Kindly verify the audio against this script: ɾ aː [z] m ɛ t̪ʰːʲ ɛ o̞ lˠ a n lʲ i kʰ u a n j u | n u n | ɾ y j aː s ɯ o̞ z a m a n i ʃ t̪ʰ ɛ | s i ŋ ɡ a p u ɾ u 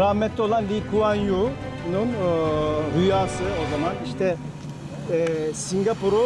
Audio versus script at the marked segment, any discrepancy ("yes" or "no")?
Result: yes